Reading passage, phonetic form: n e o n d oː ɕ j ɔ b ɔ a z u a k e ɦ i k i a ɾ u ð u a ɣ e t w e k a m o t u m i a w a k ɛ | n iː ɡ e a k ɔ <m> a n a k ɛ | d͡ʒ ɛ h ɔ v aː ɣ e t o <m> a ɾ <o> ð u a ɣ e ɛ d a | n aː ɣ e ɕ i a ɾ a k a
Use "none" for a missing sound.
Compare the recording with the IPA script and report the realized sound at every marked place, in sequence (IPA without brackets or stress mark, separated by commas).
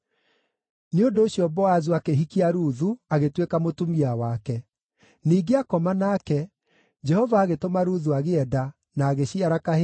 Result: m, m, u